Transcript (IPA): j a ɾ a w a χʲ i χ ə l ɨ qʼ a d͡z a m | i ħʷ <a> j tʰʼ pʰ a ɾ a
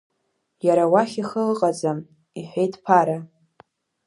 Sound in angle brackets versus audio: incorrect: e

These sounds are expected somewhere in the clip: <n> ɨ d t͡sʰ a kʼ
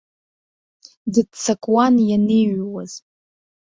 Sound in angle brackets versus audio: incorrect: d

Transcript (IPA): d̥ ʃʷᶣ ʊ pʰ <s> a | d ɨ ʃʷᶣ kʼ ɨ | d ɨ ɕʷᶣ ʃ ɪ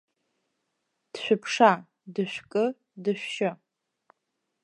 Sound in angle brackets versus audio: incorrect: ʂ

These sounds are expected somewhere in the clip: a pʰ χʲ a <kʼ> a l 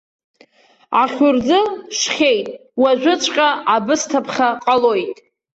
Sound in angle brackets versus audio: incorrect: qʼ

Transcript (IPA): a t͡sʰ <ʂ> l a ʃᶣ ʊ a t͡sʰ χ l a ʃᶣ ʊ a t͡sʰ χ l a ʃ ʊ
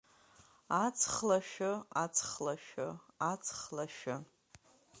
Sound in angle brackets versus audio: incorrect: χ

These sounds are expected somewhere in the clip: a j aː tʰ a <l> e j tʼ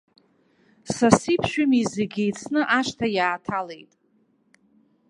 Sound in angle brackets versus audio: correct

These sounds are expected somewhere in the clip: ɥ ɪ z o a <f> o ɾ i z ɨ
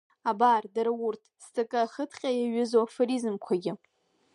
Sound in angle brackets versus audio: correct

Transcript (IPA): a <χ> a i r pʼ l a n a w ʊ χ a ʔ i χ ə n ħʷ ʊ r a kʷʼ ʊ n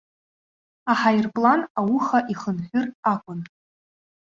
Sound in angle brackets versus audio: incorrect: ħ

